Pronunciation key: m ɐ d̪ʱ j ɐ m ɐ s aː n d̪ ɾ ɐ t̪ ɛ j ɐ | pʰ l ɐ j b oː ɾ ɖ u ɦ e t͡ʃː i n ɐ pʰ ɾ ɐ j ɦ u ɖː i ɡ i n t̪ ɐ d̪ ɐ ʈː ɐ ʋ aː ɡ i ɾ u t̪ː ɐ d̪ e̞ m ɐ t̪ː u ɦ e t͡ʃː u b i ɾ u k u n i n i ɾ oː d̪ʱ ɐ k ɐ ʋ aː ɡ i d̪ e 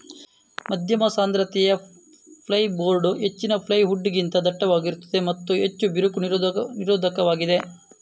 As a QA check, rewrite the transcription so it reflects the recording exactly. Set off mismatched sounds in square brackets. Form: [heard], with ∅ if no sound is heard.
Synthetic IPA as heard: m ɐ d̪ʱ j ɐ m ɐ s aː n d̪ ɾ ɐ t̪ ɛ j ɐ | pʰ l ɐ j b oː ɾ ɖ u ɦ e t͡ʃː i n ɐ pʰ [l] ɐ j ɦ u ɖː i ɡ i n t̪ ɐ d̪ ɐ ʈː ɐ ʋ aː ɡ i ɾ u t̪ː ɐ d̪ e̞ m ɐ t̪ː u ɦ e t͡ʃː u b i ɾ u k u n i n i ɾ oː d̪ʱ ɐ k ɐ ʋ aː ɡ i d̪ e